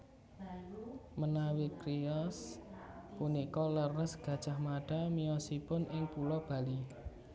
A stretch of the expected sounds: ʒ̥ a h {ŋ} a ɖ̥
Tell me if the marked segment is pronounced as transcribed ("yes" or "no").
no